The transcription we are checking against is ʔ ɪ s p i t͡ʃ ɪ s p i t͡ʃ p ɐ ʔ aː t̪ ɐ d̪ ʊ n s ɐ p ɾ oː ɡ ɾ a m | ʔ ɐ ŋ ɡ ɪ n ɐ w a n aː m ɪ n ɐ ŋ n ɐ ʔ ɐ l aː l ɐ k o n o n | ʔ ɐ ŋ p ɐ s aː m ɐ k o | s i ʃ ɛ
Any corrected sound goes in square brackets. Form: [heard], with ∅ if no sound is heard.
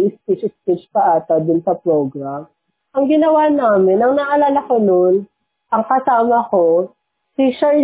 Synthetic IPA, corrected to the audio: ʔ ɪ s p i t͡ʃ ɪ s p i t͡ʃ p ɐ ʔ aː t̪ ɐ d̪ ʊ n s ɐ p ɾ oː ɡ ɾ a m | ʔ ɐ ŋ ɡ ɪ n ɐ w a n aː m ɪ n ɐ ŋ n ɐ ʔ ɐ l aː l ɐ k o n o n | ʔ ɐ ŋ [k] ɐ s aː m ɐ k o | s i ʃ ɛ